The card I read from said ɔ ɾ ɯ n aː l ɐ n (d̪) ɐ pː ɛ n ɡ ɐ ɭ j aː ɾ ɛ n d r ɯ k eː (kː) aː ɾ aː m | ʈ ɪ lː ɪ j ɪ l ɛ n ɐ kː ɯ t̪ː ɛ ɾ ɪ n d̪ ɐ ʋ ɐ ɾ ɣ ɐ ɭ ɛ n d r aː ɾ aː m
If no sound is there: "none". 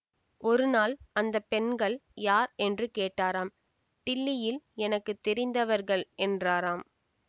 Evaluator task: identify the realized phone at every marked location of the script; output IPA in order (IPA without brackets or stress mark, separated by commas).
d̪, ʈː